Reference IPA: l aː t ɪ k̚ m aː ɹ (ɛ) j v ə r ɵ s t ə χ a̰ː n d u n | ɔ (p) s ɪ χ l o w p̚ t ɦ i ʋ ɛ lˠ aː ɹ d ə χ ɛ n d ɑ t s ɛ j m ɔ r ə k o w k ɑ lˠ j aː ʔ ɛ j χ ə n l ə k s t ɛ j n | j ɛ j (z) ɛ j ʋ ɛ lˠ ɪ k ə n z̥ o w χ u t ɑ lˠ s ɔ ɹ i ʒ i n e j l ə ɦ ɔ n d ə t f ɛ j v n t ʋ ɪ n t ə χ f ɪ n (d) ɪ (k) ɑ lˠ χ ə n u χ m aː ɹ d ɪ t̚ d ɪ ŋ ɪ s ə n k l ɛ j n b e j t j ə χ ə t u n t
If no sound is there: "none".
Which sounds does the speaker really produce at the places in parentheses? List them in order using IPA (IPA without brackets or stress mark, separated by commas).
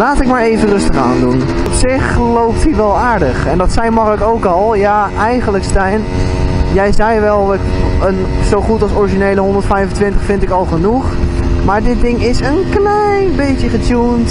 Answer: e, p, z, t, k